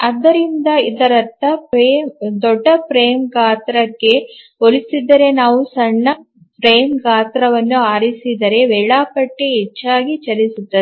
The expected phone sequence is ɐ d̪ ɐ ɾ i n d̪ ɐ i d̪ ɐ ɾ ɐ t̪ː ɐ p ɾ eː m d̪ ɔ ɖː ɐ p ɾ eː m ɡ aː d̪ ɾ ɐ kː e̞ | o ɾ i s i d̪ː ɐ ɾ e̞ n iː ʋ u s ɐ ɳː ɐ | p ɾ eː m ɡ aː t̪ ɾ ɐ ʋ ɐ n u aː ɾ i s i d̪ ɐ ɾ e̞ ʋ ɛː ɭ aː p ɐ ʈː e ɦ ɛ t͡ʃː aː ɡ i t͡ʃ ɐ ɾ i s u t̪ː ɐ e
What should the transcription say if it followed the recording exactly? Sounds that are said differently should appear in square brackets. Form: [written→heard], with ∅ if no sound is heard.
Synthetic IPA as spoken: ɐ d̪ ɐ ɾ i n d̪ ɐ i d̪ ɐ ɾ ɐ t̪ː ɐ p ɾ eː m d̪ ɔ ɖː ɐ p ɾ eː m ɡ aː [d̪→t̪] ɾ ɐ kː e̞ | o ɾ i s i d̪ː ɐ ɾ e̞ n [iː→aː] ʋ u s ɐ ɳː ɐ | p ɾ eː m ɡ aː t̪ ɾ ɐ ʋ ɐ [n→nː] u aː ɾ i s i d̪ ɐ ɾ e̞ ʋ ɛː ɭ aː p ɐ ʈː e ɦ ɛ t͡ʃː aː ɡ i t͡ʃ ɐ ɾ i s u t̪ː ɐ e